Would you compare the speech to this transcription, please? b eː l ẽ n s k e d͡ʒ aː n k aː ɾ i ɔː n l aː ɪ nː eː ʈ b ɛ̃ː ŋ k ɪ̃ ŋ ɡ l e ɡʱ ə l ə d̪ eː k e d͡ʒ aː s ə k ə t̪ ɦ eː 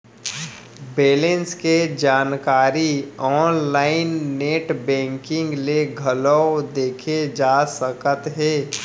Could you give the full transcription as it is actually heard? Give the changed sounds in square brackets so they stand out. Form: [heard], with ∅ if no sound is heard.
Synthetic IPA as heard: b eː l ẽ n s k e d͡ʒ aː n k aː ɾ i ɔː n l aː ɪ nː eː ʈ b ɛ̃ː ŋ k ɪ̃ ŋ ɡ l e ɡʱ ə l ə d̪ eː [kʰ] e d͡ʒ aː s ə k ə t̪ ɦ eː